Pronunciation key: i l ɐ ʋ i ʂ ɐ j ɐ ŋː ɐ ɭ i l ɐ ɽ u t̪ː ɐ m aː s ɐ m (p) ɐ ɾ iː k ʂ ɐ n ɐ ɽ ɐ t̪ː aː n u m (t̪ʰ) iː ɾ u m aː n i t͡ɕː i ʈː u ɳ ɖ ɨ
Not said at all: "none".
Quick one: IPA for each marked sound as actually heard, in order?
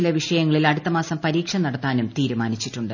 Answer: p, t̪

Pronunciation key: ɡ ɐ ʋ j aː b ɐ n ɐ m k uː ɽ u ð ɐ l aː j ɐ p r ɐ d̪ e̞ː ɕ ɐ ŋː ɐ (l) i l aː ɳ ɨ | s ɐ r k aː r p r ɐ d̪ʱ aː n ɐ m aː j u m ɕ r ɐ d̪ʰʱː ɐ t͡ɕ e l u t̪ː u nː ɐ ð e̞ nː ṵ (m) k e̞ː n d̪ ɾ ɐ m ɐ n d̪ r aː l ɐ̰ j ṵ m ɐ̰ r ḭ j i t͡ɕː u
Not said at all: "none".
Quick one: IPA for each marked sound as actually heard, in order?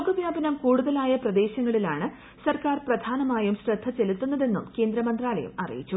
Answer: ɭ, m

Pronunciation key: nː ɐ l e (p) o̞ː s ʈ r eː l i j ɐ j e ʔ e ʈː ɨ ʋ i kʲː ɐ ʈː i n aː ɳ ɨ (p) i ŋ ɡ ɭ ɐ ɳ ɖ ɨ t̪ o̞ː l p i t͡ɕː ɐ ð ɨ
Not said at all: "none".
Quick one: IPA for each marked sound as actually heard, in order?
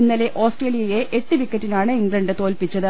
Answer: ʔ, none

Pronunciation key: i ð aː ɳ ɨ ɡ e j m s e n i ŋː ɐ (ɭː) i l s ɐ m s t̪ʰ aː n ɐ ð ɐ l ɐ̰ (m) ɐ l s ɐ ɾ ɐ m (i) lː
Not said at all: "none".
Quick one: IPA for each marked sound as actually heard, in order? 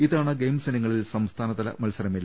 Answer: ɭ, m, i

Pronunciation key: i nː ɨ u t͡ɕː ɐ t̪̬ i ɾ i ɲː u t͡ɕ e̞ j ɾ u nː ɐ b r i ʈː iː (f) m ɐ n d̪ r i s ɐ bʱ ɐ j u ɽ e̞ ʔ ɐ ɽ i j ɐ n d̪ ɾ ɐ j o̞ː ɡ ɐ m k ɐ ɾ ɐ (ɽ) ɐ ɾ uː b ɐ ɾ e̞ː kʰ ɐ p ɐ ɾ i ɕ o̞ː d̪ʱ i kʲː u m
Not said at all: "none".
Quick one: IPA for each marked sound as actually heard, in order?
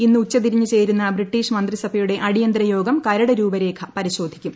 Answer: ʂ, ɽ

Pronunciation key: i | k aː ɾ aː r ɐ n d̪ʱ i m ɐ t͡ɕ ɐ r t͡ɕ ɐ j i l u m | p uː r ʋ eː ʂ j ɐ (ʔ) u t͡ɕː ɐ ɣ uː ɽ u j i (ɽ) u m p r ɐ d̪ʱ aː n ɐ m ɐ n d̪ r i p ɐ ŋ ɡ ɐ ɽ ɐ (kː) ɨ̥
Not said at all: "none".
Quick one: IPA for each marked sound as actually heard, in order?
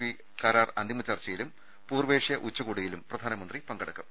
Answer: ʔ, l, kː

